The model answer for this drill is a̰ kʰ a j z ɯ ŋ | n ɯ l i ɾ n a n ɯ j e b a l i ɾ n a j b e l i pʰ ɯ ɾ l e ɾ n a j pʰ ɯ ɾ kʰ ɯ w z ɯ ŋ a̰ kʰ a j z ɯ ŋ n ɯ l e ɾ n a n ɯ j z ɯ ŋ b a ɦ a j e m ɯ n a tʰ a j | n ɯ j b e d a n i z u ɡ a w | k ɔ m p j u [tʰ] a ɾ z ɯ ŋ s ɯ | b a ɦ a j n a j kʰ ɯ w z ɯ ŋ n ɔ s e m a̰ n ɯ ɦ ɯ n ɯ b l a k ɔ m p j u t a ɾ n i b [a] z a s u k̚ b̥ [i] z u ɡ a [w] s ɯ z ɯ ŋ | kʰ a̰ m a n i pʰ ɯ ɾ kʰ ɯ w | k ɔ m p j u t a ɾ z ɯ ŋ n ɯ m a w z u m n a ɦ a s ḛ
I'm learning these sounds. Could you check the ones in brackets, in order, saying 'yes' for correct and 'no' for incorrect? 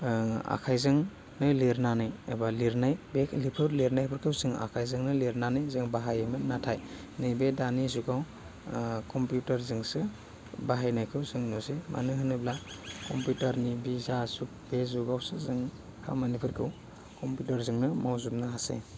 no, no, no, yes

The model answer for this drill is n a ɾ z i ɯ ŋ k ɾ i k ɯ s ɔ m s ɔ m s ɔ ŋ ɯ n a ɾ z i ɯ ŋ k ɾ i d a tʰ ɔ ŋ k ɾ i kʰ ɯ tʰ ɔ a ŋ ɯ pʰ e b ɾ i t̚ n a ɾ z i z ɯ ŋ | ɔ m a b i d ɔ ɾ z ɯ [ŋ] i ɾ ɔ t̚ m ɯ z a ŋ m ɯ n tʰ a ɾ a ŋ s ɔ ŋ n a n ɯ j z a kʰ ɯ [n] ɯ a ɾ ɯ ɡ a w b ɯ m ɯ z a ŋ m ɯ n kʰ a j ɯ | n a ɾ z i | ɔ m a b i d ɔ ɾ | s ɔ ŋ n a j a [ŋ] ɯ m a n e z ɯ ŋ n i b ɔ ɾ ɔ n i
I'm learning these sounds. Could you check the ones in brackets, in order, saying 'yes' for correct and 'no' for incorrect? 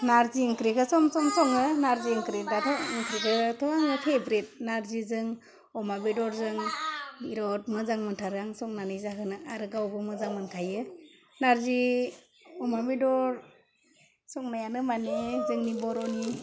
yes, yes, no

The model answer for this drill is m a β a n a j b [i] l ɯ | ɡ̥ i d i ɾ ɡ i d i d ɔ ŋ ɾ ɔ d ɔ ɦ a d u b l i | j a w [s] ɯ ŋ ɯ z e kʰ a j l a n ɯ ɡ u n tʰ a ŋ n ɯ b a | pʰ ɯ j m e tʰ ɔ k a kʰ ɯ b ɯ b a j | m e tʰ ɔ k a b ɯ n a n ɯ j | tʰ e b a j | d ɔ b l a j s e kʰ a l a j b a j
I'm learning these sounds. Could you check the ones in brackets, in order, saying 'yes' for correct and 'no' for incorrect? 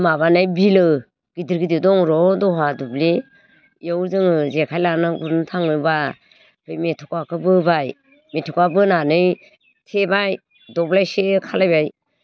yes, no

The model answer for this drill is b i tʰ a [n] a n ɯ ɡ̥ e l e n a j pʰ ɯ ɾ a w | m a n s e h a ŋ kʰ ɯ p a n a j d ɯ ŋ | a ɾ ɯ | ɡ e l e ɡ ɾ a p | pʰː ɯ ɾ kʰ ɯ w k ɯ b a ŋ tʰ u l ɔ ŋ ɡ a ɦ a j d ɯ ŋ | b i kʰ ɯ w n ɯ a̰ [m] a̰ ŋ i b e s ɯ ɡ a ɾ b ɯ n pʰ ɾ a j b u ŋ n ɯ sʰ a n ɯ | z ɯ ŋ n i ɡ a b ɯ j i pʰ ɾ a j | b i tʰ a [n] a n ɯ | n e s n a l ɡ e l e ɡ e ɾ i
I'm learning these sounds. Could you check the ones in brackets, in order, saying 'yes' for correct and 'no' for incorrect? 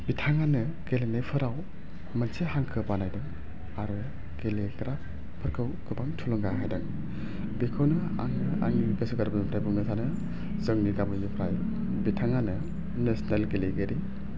no, no, no

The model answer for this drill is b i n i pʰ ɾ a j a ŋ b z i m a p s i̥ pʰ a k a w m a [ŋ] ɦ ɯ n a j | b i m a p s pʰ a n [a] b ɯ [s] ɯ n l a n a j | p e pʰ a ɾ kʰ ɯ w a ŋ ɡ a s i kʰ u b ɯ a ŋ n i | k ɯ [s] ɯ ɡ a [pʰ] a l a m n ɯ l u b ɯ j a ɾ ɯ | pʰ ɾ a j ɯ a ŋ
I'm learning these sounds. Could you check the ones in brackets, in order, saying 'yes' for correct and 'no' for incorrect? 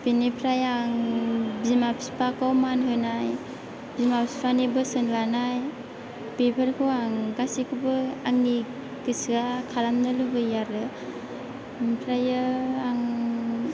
no, no, yes, yes, no

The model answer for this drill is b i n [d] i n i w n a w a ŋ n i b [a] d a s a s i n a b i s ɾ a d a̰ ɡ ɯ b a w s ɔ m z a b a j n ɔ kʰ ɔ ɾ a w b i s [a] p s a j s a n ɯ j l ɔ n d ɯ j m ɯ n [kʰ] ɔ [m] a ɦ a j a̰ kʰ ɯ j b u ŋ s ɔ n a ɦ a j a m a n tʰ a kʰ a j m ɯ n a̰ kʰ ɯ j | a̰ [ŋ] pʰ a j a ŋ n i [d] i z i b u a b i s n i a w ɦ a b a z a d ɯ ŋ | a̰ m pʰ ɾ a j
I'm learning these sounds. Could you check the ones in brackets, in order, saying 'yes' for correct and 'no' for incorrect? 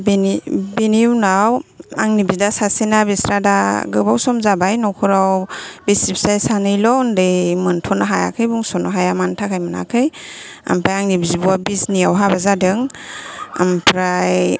no, no, no, no, no, no, no

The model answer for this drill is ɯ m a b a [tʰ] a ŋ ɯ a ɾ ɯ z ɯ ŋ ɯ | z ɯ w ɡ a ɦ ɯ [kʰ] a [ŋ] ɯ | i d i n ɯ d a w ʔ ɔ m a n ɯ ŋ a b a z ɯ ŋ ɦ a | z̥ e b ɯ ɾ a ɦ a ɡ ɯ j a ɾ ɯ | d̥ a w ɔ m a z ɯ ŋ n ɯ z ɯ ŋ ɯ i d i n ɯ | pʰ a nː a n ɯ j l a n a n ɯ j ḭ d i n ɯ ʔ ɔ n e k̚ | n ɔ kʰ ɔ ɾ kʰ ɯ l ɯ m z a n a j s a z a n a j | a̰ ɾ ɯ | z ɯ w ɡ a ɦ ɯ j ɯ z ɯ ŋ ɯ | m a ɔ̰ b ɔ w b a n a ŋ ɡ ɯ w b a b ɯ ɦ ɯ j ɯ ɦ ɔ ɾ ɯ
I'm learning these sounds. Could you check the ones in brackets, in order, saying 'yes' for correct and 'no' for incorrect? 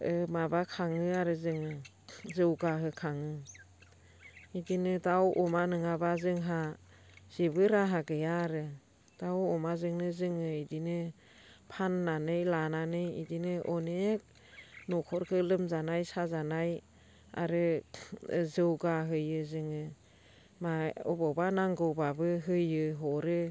no, yes, yes

